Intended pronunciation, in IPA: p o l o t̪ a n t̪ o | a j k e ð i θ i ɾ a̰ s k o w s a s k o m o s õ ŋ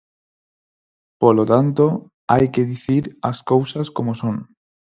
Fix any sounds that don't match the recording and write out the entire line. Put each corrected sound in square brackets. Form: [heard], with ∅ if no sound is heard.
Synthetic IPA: p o l o t̪ a n t̪ o | a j k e ð i θ i ɾ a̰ s k o w s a s k o m o s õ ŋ